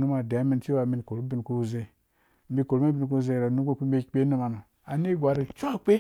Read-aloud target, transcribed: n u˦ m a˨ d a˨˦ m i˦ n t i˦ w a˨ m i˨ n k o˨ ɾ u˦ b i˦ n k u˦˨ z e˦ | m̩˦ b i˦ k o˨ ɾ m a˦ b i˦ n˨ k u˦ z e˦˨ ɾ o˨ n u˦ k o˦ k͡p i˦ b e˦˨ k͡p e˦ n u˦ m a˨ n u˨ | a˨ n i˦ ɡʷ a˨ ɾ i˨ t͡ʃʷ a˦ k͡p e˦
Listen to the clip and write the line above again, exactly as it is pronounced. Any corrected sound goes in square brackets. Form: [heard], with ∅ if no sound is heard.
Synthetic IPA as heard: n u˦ m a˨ d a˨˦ m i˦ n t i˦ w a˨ m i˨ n k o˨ ɾ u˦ b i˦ n k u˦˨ z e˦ | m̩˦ b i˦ k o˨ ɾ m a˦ b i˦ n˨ k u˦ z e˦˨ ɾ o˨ n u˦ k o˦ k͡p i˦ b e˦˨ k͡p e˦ n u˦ m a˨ n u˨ | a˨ n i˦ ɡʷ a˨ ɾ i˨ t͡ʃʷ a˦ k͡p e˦